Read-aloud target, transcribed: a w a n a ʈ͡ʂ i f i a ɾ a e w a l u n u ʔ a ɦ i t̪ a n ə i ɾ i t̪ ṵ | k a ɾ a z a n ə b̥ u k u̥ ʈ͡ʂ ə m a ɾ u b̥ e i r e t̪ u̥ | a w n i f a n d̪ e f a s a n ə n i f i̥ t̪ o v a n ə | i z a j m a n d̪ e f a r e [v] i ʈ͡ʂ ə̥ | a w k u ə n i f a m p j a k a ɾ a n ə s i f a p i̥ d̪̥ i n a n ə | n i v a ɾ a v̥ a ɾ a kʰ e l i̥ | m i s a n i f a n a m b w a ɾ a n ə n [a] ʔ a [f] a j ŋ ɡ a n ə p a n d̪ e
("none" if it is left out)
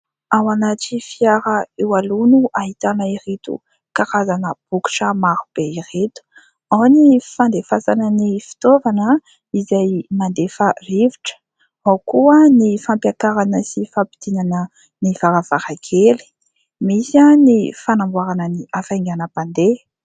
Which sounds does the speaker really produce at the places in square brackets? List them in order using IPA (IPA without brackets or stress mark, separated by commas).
v, i, f